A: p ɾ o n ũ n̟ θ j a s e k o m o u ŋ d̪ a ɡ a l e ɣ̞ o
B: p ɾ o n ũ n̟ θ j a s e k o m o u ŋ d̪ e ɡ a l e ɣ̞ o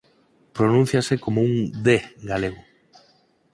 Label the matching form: B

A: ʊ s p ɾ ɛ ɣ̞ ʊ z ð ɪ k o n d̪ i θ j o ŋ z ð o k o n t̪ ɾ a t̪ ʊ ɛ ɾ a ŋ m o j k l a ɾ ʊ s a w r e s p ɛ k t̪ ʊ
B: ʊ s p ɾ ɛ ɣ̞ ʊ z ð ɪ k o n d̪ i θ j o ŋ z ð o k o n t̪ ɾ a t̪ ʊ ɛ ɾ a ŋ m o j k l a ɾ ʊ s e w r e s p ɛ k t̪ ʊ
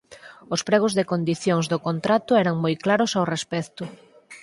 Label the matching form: A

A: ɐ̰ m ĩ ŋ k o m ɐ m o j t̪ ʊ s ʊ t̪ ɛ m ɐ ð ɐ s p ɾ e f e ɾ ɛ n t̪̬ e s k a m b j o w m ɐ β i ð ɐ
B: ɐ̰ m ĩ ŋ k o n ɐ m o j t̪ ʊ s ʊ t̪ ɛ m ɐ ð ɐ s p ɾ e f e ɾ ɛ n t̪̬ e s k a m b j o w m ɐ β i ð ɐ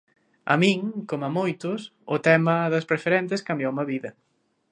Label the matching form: A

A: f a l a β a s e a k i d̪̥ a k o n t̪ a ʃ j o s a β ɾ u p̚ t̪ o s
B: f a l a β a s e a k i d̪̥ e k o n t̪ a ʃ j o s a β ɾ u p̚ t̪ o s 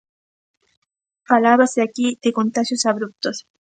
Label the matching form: B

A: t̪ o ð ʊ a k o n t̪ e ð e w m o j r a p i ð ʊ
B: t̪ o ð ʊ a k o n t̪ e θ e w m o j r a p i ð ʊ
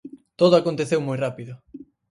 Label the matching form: B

